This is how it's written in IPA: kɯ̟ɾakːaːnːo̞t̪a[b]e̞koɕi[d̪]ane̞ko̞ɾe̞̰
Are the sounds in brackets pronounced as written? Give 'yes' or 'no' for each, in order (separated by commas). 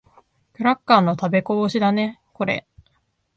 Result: yes, yes